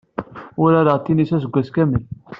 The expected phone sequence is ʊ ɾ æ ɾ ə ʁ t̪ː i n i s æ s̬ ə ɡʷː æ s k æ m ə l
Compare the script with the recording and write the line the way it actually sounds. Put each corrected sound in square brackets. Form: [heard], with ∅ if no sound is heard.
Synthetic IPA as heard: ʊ ɾ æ ɾ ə ʁ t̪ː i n i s æ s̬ ə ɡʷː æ s k æ m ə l